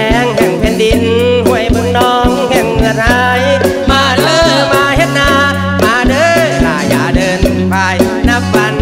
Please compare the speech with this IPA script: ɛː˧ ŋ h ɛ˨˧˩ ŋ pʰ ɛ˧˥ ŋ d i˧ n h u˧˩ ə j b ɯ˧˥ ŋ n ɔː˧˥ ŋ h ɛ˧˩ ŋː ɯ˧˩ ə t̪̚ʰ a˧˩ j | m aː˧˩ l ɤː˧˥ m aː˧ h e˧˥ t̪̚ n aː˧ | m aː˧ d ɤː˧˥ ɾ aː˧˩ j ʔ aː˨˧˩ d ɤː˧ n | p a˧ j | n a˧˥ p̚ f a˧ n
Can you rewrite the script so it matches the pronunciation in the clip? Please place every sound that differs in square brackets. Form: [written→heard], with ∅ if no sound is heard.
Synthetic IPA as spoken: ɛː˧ ŋ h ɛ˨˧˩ ŋ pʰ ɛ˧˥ [ŋ→n] d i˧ n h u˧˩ ə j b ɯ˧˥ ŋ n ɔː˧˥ ŋ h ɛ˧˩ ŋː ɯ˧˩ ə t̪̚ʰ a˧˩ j | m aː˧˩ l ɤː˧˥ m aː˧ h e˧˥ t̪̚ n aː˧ | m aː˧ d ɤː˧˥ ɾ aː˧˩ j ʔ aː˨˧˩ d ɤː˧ n | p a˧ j | n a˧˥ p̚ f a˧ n